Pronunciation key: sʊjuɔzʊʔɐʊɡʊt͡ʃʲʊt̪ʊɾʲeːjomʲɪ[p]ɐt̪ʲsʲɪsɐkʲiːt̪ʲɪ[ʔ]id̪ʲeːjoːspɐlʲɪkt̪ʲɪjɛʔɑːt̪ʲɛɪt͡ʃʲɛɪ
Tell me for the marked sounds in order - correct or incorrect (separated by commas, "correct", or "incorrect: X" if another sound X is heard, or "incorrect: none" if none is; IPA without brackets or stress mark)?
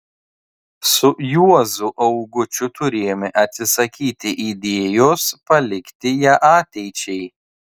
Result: incorrect: ʔ, correct